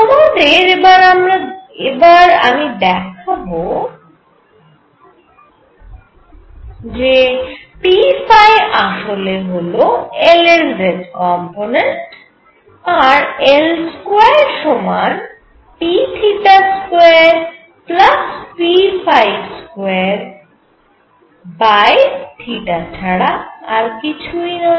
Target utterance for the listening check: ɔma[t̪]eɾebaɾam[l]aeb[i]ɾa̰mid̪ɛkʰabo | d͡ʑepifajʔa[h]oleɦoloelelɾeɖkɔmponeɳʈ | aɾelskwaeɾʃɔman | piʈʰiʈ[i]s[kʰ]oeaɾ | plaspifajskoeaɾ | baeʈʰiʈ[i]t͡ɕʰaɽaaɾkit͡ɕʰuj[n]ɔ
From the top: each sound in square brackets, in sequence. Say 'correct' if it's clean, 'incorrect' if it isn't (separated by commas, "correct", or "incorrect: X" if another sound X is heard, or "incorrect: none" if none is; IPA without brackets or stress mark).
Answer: incorrect: d̪, incorrect: ɾ, incorrect: a, incorrect: ʃ, incorrect: a, incorrect: k, incorrect: a, correct